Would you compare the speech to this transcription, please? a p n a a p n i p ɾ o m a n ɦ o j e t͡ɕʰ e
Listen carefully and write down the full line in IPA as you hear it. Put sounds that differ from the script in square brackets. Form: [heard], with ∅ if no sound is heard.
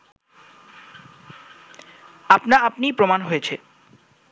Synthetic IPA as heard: a p n a a p n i p ɾ o m a n ɦ o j e t͡ɕʰ e